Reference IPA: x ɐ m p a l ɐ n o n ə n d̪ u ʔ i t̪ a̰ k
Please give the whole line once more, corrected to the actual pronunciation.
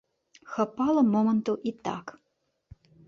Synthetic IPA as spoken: x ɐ p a l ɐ m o m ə n t̪ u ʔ i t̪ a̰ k